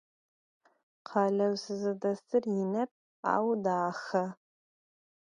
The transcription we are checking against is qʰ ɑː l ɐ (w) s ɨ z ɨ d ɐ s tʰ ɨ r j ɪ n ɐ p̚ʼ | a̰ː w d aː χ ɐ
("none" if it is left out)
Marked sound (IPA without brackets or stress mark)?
w